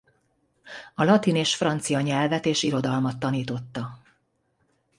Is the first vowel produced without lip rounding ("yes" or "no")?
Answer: no